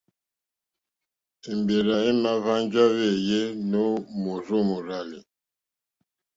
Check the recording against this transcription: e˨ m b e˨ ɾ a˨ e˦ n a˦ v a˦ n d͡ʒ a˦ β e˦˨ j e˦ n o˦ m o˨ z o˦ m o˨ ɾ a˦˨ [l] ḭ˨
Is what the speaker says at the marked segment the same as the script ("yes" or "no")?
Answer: yes